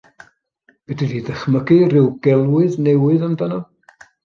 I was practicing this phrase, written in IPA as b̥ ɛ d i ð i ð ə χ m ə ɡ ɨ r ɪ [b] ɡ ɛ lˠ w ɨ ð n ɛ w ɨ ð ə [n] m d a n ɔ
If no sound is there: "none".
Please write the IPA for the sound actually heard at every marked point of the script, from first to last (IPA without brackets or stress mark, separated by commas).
w, none